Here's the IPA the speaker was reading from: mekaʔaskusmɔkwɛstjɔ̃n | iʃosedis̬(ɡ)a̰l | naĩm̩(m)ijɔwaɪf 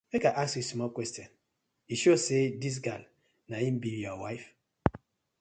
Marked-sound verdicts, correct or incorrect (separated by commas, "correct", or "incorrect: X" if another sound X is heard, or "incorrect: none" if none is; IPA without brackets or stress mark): correct, incorrect: b